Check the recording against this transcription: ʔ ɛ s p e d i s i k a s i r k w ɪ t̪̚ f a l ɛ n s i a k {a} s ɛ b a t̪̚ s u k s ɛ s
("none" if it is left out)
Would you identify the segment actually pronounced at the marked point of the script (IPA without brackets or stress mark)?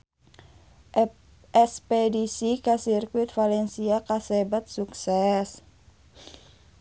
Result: a